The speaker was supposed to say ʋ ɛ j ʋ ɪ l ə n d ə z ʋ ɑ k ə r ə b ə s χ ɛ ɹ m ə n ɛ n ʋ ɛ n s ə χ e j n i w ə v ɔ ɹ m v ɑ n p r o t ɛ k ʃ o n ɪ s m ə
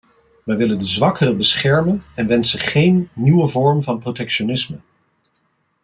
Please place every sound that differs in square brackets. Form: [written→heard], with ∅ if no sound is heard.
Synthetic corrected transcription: ʋ ɛ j ʋ ɪ l ə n d ə z ʋ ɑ k ə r ə b ə s χ ɛ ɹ m ə n ɛ n ʋ ɛ n s ə χ e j [n→nː] i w ə v ɔ ɹ m v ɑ n p r o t ɛ k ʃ o n ɪ s m ə